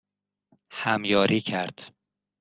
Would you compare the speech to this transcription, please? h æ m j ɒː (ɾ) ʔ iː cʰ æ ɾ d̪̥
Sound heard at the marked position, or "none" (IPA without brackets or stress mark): ɾ